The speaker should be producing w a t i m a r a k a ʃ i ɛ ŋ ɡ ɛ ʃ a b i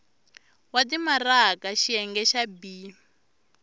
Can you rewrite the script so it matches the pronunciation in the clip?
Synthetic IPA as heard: w a t i m a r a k a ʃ i ɛ ŋ ɡ ɛ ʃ a b i